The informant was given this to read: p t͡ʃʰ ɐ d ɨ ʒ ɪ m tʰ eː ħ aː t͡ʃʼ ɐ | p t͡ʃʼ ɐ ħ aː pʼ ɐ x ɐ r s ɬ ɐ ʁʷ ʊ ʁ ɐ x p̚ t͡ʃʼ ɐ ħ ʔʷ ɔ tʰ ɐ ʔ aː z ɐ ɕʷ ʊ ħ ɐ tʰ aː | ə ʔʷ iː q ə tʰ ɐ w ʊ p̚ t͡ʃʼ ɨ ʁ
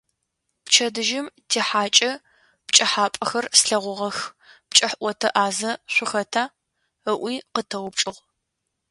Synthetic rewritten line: p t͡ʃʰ ɐ d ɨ ʒ ɪ m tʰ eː ħ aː t͡ʃʼ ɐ | p t͡ʃʼ ɐ ħ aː pʼ ɐ x ɐ r s ɬ ɐ ʁʷ ʊ ʁ ɐ x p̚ t͡ʃʼ ɐ ħ ʔʷ ɔ tʰ ɐ ʔ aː z ɐ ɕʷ ʊ x ɐ tʰ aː | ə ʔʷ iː q ə tʰ ɐ w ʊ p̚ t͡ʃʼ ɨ ʁ